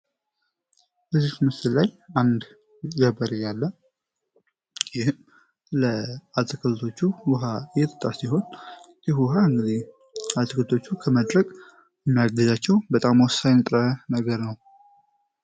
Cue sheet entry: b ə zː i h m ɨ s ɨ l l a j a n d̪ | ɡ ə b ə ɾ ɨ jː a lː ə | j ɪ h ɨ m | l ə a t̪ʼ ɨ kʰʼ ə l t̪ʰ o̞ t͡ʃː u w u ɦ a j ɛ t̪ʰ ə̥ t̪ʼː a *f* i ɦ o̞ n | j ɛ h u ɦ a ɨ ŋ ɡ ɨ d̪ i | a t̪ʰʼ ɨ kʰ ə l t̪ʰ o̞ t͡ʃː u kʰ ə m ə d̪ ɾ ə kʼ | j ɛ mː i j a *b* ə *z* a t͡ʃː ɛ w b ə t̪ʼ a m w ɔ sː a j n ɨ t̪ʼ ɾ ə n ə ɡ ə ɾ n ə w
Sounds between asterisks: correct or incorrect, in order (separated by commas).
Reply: incorrect, incorrect, correct